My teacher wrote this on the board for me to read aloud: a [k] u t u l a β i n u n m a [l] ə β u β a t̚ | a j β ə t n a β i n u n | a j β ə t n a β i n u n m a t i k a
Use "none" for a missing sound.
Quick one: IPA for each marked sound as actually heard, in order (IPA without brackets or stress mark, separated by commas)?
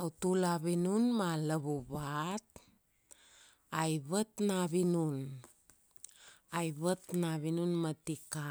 none, l